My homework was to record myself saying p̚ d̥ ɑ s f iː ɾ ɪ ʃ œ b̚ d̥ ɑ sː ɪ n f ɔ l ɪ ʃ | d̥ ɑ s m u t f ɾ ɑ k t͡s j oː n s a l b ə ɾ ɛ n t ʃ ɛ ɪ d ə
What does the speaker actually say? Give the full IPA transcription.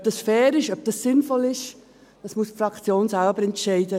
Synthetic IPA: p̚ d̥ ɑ s f ɛː ɾ ɪ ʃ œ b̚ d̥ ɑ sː ɪ n f ɔ l ɪ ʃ | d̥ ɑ s m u s f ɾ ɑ k t͡s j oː n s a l b ə ɾ ɛ n t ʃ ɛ ɪ d ə

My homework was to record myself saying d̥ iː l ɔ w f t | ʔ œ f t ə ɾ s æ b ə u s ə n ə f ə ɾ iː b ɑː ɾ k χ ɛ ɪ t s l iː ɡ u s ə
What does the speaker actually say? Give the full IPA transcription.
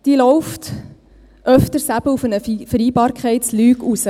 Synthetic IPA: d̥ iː l ɔ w f t | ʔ œ f t ə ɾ s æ b ə u f ə n ə f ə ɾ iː b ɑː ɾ k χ ɛ ɪ t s l yː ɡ u s ə

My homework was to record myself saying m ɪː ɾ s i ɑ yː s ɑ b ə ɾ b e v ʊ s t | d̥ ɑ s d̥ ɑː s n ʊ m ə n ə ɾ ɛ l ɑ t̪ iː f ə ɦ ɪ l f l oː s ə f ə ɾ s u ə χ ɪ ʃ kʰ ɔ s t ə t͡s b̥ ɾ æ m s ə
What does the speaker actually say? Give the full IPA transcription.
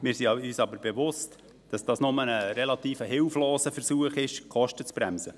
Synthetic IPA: m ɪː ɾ s i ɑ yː s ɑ b ə ɾ b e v ʊ s t | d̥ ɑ s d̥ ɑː s n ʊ m ə n ə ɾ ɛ l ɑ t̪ iː f ə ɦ ɪ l f l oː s ə f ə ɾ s u ə χ ɪ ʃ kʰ ɔ ʃ t ə t͡s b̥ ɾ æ m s ə

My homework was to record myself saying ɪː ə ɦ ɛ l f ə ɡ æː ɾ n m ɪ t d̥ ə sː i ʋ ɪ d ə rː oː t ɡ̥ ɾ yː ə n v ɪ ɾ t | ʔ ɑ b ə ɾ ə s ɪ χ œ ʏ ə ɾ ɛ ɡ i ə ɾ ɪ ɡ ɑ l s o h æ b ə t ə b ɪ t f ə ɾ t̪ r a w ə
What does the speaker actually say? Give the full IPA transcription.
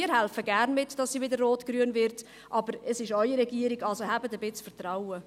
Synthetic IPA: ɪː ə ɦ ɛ l f ə ɡ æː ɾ n m ɪ t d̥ ɑ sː i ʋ ɪ d ə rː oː t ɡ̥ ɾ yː ə n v ɪ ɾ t | ʔ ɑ b ə ɾ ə s ɪ ʃ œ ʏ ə ɾ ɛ ɡ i ə ɾ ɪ ɡ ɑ l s o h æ b ə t ə b ɪ t͡s f ə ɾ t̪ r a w ə

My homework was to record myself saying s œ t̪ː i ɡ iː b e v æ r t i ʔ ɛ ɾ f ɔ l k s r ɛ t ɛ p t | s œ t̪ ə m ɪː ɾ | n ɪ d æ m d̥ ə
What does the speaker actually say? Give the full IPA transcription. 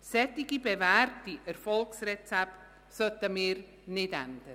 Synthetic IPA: s ɛ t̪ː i ɡ i b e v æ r t i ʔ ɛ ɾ f ɔ l k s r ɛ t͡s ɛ p t | s œ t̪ ə m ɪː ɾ | n ɪ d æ n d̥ ə

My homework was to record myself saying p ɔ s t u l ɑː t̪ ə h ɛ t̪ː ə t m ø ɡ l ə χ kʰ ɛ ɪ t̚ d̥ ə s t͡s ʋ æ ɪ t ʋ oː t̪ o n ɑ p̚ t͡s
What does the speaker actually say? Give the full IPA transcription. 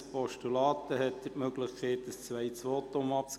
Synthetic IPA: p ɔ ʃ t u l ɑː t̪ ə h ɛ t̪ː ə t m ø ɡ l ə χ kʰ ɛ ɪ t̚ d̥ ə s t͡s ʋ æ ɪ t͡s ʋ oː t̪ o m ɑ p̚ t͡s

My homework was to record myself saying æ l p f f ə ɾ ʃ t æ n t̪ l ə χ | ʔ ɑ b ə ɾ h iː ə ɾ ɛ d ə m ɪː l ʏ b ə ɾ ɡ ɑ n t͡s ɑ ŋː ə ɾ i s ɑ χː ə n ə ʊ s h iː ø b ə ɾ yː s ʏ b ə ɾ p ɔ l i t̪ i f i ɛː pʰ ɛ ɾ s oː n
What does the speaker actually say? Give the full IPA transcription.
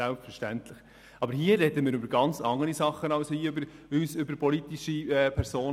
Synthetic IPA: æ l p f f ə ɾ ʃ t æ n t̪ l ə χ | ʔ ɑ b ə ɾ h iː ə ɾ ɛ d ə m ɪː ɾ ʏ b ə ɾ ɡ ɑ n t͡s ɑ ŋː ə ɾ i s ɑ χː ə n ɑ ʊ s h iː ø b ə ɾ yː s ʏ b ə ɾ p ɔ l i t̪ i ʃ i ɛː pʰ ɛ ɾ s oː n

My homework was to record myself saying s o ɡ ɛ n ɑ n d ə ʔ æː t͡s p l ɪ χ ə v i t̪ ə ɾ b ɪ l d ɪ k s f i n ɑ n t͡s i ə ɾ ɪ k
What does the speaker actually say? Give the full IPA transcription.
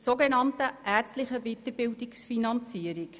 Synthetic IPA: s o ɡ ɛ n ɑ n t ə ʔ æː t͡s t l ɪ χ ə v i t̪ ə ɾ b ɪ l d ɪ k s f i n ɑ n t͡s i ə ɾ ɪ k

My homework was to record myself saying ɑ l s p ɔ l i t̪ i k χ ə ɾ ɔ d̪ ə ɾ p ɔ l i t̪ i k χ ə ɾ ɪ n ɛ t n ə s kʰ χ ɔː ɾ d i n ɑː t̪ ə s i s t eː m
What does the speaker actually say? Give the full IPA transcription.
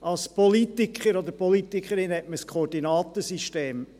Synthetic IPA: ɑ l s p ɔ l i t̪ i k χ ə ɾ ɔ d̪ ə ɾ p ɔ l i t̪ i k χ ə ɾ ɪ n ɛ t m ə s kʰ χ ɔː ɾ d i n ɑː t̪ ə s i ʃ t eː m

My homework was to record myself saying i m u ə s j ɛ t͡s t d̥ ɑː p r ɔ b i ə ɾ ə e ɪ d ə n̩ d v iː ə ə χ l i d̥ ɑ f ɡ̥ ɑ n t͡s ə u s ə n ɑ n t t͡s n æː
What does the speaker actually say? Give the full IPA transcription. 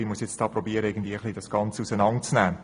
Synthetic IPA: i m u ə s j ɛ t͡s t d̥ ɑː p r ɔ b i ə ɾ ə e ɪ ɡ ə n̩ d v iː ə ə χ l i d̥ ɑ s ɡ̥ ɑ n t͡s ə u s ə n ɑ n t t͡s n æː

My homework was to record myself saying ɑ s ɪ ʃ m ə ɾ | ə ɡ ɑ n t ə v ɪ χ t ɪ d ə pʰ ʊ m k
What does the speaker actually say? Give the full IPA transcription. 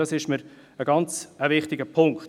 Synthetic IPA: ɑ s ɪ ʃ m ə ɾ | ə ɡ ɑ n t͡s ə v ɪ χ t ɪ ɡ ə pʰ ʊ ŋ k

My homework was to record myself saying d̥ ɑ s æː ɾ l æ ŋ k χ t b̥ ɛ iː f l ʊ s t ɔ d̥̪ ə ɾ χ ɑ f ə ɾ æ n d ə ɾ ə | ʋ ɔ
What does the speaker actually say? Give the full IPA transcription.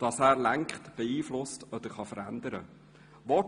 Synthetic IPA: d̥ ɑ s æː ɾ l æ ŋ k χ t b̥ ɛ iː f l ʊ s t ɔ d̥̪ ə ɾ χ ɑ f ə ɾ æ n d ə ɾ ə | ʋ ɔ

